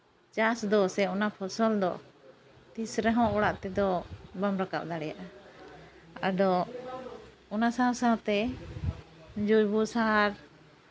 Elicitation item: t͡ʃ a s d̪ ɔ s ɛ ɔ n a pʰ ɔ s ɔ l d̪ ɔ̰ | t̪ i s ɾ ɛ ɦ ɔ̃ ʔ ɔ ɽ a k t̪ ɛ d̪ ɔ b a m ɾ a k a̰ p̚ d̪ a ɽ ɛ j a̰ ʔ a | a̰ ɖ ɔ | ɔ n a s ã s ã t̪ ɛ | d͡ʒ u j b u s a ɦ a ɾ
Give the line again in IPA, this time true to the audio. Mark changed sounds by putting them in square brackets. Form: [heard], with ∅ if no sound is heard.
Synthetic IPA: t͡ʃ a s d̪ ɔ s ɛ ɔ n a pʰ ɔ s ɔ l d̪ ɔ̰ | t̪ i s ɾ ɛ ɦ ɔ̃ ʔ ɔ ɽ a [ʔ] t̪ ɛ d̪ ɔ b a m ɾ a k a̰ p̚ d̪ a ɽ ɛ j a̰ ʔ a | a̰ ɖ ɔ | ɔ n a s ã s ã t̪ ɛ | d͡ʒ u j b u s a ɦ a ɾ